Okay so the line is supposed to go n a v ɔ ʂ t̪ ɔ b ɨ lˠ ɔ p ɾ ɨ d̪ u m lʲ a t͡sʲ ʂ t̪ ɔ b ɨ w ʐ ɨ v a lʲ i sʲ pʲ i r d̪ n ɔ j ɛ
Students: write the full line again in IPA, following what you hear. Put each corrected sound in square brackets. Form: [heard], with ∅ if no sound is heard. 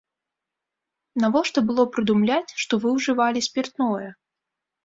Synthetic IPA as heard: n a v ɔ ʂ t̪ ɔ b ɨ lˠ ɔ p ɾ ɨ d̪ u m lʲ a t͡sʲ ʂ t̪ ɔ [v] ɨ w ʐ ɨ v a lʲ i sʲ pʲ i r [t̪] n ɔ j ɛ